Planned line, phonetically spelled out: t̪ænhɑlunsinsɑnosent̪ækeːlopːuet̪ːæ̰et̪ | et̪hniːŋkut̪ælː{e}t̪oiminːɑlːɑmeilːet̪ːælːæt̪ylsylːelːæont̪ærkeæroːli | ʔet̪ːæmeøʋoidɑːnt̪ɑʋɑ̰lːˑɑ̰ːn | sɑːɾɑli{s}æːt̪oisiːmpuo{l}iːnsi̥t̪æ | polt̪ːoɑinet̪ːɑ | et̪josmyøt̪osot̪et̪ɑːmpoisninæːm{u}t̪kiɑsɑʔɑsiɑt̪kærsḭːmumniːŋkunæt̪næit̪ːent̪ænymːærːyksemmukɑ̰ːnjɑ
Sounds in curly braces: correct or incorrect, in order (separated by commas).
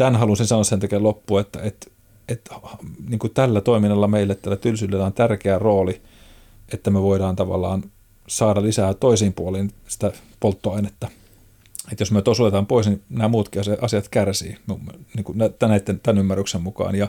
incorrect, correct, correct, incorrect